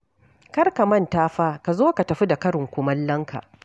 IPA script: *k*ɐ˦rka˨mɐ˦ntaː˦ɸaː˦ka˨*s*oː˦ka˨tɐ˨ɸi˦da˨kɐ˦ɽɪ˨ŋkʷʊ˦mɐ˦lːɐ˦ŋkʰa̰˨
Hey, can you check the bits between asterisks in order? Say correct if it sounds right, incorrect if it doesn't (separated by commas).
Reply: correct, incorrect